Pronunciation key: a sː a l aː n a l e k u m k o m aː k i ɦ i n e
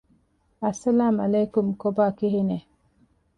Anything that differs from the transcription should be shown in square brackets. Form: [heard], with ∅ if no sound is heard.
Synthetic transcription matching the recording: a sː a l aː [m] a l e k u m k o [b] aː k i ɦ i n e